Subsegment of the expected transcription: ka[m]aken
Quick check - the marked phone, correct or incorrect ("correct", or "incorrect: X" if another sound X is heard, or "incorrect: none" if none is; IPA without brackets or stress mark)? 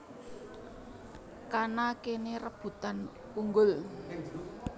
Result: incorrect: n